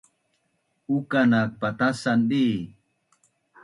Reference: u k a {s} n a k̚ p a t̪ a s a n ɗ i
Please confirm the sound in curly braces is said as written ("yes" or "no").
no